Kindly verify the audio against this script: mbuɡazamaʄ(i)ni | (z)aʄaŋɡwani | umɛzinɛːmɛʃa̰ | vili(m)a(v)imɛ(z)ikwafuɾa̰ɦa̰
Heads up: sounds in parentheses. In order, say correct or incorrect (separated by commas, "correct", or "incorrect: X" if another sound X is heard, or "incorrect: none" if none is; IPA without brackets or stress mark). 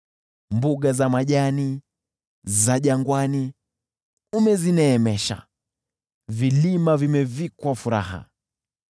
incorrect: a, correct, correct, correct, incorrect: v